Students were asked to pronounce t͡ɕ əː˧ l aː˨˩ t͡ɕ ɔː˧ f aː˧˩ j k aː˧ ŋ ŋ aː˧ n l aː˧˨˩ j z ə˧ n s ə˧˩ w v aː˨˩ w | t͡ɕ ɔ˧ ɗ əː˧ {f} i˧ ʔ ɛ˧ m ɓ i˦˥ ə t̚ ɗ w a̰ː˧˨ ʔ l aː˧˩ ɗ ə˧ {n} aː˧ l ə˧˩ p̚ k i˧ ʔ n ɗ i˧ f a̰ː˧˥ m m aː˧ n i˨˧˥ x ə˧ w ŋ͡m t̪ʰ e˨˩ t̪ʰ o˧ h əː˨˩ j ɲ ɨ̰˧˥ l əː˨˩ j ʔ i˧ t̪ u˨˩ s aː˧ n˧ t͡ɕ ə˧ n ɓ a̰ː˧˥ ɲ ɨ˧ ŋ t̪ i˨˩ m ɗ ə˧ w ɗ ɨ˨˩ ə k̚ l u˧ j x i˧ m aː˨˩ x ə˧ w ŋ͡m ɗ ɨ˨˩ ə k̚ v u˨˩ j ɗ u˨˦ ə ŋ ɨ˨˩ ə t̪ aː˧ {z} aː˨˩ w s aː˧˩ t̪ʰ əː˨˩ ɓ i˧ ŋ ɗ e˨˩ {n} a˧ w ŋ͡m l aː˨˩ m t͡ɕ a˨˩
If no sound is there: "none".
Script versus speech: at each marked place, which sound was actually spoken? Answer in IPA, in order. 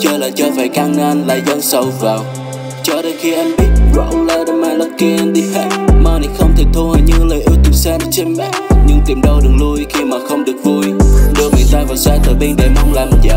x, m, v, m

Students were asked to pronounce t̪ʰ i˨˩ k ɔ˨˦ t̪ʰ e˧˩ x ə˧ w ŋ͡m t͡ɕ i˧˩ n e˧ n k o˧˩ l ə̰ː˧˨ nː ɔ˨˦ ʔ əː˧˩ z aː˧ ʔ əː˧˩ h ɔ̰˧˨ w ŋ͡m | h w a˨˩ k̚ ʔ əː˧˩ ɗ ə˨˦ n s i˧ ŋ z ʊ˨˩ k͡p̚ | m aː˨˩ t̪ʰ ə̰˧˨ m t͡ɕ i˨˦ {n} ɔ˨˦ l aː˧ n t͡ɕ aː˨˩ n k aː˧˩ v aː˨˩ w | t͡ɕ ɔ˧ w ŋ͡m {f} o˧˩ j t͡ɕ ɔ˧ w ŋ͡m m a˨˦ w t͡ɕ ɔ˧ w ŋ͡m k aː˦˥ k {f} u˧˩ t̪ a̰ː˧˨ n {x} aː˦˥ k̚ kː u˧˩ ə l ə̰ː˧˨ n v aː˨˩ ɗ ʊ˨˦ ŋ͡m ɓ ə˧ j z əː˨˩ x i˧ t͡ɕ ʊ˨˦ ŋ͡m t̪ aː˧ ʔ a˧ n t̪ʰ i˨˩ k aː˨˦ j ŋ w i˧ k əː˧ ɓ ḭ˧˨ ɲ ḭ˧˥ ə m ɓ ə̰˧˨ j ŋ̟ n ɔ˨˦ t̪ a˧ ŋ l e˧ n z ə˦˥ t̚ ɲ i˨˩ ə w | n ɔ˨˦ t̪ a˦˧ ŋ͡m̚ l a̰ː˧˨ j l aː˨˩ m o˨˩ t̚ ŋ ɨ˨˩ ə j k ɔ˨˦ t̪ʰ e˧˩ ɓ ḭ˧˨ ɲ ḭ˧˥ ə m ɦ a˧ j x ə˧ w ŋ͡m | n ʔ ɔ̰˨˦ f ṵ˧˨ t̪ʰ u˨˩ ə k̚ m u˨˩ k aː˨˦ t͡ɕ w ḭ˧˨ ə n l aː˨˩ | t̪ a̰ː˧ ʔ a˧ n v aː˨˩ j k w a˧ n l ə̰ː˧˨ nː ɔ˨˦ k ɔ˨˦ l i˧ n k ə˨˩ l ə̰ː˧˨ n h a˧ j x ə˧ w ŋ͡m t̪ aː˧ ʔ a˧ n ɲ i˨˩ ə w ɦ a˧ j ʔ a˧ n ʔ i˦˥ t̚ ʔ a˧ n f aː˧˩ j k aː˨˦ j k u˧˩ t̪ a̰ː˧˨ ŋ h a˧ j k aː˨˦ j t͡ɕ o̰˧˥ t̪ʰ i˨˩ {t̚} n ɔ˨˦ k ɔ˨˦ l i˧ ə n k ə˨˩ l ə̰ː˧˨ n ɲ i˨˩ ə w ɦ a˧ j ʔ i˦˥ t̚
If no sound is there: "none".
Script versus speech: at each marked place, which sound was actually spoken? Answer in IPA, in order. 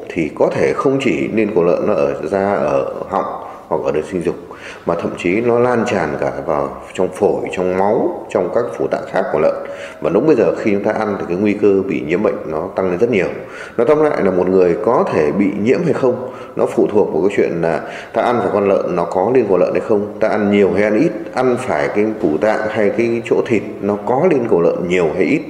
n, f, f, x, t̚

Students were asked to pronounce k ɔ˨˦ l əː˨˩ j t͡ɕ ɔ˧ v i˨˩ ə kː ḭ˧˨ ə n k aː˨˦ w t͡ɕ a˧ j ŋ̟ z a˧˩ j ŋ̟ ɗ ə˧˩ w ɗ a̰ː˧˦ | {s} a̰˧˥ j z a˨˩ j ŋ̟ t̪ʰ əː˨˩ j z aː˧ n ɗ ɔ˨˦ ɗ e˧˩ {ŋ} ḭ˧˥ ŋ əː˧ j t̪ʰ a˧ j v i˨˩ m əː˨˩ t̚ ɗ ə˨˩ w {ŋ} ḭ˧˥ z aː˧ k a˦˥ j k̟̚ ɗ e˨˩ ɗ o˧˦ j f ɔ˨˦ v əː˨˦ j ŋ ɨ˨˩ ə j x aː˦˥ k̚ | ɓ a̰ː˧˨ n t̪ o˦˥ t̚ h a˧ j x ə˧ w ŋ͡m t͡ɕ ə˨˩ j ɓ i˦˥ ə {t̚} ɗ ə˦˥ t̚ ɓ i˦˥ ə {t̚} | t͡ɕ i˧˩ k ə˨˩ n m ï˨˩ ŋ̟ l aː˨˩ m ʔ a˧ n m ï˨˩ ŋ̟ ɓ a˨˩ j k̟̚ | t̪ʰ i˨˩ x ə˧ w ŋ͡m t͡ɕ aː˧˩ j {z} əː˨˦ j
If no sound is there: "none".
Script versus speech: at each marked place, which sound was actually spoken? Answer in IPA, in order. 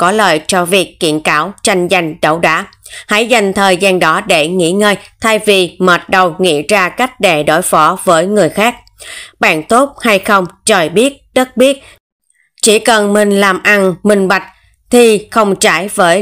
h, ŋ, ŋ, t̚, t̚, v

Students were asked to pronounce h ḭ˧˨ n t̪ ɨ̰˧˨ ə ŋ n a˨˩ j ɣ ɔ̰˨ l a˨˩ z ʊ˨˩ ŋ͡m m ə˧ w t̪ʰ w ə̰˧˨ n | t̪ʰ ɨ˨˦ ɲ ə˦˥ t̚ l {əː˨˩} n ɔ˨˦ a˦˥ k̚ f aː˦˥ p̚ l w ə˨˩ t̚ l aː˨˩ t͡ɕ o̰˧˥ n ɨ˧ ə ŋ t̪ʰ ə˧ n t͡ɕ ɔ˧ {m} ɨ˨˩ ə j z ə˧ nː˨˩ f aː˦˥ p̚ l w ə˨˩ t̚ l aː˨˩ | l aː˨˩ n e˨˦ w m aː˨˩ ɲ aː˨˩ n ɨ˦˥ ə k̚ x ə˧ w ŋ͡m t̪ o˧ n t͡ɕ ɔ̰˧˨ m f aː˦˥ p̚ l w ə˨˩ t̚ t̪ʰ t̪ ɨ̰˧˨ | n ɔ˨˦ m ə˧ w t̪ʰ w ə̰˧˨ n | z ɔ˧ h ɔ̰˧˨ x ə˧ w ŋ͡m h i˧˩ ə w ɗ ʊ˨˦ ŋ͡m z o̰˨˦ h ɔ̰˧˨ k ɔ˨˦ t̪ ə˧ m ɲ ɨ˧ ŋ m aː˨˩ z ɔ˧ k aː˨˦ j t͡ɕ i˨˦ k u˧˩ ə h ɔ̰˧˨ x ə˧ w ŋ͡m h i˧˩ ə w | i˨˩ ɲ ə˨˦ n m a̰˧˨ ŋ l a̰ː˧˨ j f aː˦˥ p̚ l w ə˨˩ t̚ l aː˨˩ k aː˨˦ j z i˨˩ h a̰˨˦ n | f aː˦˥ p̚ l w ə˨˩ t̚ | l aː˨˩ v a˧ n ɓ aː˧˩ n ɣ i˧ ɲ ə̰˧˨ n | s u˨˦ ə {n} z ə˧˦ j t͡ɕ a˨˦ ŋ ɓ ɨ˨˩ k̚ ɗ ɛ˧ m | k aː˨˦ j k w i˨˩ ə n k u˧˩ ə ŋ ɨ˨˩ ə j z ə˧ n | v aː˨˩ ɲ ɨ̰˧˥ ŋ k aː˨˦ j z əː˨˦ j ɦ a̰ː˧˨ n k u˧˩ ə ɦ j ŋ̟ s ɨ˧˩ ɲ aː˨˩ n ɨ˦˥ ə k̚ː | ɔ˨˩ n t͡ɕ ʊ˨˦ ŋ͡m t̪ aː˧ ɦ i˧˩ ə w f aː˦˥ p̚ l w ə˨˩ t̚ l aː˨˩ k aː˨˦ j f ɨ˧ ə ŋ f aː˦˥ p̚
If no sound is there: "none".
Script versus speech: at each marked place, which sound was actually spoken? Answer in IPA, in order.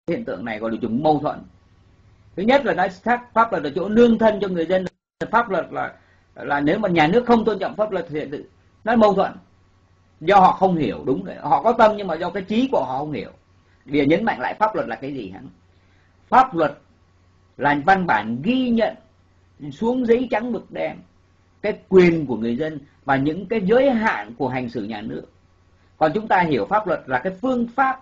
aː˨˩, ŋ, ŋ

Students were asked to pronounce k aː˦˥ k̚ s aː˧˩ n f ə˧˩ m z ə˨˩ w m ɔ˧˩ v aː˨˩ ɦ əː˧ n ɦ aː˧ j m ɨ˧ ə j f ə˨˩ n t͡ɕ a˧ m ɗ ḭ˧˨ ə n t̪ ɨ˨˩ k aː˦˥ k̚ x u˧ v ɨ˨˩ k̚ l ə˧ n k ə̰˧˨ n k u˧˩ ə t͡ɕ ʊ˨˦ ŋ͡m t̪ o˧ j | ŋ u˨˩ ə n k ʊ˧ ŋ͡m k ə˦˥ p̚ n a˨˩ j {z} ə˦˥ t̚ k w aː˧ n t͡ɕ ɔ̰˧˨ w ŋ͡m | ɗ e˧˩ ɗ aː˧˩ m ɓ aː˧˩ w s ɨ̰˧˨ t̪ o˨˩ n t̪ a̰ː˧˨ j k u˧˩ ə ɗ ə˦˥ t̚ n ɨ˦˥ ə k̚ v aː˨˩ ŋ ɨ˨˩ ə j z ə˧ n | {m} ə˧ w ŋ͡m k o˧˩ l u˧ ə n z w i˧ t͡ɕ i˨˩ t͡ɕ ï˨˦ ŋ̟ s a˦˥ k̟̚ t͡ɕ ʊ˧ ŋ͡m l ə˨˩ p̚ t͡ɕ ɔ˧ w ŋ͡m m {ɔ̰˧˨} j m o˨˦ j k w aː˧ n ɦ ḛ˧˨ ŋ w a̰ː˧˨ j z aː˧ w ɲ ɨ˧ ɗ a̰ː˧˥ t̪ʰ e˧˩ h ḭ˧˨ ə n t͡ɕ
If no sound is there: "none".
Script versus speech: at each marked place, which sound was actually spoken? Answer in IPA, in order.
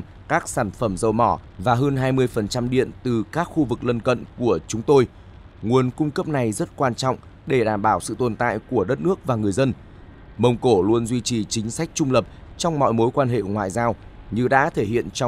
z, m, ɔ̰˧˨

